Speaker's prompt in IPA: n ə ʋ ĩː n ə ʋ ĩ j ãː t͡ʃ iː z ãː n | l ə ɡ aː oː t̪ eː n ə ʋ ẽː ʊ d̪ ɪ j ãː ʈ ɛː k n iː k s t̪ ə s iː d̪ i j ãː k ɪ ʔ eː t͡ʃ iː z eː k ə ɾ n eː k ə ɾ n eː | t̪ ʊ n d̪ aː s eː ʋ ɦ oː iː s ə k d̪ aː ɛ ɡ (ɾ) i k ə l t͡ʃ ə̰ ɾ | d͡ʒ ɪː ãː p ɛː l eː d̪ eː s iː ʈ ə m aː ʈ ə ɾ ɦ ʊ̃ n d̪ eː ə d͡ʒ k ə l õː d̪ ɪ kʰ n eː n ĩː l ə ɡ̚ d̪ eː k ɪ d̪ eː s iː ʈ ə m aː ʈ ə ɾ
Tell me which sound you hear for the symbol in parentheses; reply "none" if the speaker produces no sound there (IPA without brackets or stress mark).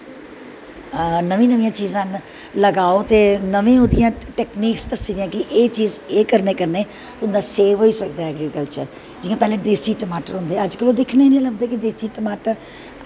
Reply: ɾ